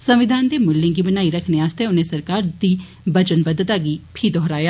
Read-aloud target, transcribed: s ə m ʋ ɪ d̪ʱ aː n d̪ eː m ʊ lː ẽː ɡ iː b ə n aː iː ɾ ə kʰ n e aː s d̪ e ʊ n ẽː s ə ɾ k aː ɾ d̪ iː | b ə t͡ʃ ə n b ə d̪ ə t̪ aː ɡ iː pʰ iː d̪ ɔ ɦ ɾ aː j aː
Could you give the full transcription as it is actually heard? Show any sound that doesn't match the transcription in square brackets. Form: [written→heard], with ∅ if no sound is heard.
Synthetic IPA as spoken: s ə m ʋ ɪ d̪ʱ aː n d̪ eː m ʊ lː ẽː ɡ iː b ə n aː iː ɾ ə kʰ n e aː s [d̪→t̪] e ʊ n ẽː s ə ɾ k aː ɾ d̪ iː | b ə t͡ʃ ə n b ə d̪ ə t̪ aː ɡ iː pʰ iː d̪ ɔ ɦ ɾ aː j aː